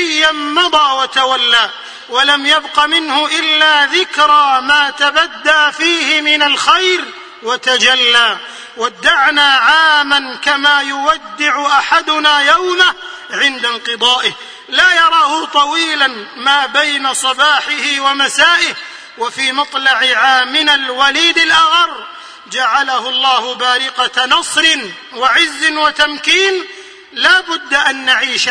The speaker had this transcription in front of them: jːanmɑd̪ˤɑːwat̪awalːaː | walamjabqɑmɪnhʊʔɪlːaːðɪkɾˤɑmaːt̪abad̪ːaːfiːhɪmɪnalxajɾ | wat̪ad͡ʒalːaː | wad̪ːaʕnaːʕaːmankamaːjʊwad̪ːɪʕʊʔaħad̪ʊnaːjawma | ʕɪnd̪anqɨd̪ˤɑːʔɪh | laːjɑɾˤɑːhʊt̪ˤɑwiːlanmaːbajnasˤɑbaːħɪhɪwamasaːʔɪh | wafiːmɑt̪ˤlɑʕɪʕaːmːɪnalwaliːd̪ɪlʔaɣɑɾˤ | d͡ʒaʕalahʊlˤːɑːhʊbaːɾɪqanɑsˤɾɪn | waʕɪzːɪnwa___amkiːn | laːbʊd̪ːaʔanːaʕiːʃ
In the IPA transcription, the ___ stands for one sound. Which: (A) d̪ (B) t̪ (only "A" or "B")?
B